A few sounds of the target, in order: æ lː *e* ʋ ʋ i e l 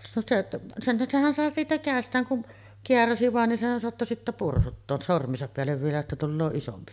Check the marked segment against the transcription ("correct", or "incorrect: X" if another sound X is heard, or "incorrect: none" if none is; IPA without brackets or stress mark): correct